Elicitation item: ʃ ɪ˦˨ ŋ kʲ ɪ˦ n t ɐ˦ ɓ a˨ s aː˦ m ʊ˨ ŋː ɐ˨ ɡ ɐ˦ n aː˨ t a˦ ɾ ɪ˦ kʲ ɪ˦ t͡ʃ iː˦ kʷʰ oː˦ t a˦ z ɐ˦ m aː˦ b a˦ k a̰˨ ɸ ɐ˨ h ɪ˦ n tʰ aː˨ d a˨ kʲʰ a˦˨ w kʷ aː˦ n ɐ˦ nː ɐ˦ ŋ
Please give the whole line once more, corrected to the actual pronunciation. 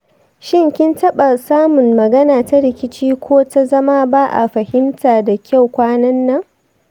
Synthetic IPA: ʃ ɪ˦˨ ŋ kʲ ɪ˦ n t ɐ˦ ɓ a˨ s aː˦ m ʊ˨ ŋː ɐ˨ ɡ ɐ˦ n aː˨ t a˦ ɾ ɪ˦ kʲ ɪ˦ t͡ʃ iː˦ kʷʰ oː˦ t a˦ z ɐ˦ m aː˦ b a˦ ʔ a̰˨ ɸ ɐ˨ h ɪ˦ m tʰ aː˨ d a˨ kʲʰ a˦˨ w kʷ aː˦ n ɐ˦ nː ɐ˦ ŋ